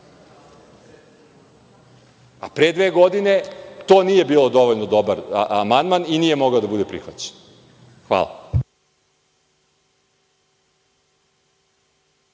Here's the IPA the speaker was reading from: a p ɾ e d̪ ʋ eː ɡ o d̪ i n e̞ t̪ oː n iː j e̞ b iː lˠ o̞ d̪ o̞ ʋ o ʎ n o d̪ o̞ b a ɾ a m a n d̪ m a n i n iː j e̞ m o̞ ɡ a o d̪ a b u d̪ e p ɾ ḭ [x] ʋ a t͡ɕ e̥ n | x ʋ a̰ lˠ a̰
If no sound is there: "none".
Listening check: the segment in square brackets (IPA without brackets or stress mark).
x